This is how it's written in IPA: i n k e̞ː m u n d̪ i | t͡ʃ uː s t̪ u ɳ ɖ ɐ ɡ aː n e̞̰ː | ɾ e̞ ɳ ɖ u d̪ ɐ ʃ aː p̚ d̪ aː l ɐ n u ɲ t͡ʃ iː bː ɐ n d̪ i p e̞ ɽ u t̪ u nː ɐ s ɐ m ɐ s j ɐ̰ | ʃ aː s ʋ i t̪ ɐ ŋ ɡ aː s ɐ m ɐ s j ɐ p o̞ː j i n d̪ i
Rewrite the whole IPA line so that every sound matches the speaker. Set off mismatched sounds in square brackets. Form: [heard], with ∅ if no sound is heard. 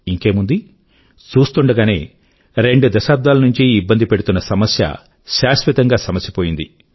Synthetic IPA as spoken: i [ŋ] k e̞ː m u n d̪ i | t͡ʃ uː s t̪ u ɳ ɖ ɐ ɡ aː n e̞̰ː | ɾ e̞ ɳ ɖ u d̪ ɐ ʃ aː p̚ d̪ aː l ɐ n u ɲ t͡ʃ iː bː ɐ n d̪ i p e̞ ɽ u t̪ u nː ɐ s ɐ m ɐ s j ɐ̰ | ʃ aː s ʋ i t̪ ɐ ŋ ɡ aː s ɐ m ɐ s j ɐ p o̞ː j i n d̪ i